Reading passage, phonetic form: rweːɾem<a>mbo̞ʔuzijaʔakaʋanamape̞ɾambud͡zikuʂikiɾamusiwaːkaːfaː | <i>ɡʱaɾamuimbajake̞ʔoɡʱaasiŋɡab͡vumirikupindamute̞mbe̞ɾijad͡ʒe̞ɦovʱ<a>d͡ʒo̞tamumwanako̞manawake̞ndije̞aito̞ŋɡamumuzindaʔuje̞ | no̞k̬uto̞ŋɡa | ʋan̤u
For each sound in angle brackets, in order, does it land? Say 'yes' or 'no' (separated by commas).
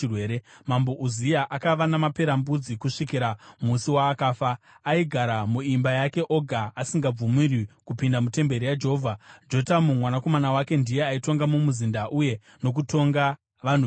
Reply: yes, yes, yes